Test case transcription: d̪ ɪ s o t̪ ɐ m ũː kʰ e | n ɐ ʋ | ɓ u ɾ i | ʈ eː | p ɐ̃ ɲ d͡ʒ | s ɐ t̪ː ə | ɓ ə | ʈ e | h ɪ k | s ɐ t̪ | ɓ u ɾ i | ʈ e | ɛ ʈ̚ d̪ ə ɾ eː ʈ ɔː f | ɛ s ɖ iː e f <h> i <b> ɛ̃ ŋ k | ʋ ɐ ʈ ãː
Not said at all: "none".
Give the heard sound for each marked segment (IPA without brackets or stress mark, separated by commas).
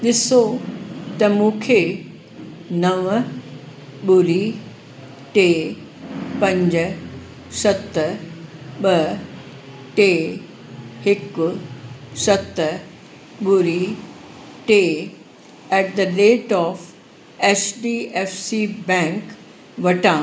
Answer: s, b